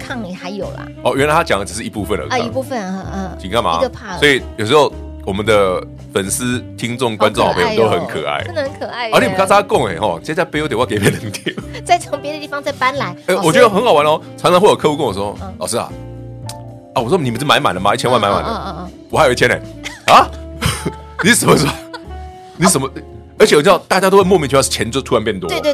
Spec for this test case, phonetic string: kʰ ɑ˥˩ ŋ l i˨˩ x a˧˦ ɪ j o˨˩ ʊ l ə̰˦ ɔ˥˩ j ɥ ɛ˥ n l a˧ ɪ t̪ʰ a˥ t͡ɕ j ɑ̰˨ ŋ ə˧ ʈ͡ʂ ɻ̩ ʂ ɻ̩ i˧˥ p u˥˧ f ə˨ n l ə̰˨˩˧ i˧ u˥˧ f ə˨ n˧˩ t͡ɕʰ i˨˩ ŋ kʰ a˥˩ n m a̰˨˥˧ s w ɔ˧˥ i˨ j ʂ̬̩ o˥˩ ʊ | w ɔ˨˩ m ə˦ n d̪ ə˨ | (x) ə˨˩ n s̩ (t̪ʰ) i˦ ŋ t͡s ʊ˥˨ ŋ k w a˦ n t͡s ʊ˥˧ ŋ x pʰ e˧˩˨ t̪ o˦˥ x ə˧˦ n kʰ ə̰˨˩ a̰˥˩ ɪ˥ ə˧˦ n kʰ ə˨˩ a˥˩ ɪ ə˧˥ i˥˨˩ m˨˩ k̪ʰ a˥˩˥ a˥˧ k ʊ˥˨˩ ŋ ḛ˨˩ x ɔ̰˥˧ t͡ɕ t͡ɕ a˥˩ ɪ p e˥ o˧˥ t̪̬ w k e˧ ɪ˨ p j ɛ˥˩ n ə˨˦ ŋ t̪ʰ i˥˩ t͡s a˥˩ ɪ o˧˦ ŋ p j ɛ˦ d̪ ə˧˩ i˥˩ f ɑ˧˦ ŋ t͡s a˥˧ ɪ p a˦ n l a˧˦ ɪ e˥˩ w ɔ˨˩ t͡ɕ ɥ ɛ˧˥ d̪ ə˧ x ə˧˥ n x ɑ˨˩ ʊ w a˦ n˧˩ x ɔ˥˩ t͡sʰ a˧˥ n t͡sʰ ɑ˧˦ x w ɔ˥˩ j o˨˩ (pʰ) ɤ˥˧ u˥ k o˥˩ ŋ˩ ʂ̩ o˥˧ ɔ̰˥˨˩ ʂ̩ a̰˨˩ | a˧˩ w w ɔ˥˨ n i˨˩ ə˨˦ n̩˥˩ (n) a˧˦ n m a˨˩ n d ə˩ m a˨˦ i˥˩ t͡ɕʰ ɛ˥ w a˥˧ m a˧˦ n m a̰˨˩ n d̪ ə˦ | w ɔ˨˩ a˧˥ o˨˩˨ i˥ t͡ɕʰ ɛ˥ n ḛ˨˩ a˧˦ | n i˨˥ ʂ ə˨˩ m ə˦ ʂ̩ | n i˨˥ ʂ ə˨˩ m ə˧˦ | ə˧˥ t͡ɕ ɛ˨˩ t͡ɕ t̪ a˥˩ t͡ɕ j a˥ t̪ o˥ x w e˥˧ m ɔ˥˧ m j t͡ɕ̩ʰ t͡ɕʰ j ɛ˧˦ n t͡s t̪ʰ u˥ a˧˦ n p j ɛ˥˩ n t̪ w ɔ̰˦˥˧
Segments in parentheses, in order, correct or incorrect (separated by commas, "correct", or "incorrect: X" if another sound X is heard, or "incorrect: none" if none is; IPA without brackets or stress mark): incorrect: f, correct, incorrect: kʰ, incorrect: m